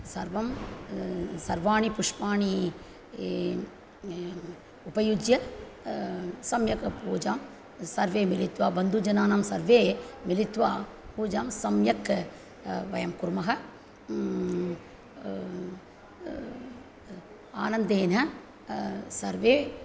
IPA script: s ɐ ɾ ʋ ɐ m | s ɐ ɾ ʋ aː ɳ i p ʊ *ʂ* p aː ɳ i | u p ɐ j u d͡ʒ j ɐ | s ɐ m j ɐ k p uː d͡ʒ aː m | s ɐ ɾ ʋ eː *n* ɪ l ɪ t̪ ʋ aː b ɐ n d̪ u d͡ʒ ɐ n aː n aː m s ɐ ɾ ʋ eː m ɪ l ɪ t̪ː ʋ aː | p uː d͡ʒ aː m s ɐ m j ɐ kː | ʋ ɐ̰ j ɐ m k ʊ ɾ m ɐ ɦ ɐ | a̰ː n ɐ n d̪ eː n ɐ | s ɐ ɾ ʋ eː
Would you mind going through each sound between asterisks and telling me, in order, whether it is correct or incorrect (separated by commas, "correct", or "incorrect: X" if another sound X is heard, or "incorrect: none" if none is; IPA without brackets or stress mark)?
correct, incorrect: m